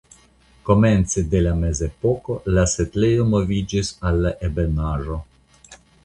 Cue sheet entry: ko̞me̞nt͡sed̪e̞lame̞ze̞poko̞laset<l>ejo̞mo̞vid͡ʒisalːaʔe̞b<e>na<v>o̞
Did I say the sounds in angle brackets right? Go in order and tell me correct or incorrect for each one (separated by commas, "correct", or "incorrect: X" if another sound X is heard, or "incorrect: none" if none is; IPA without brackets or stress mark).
correct, correct, incorrect: ʒ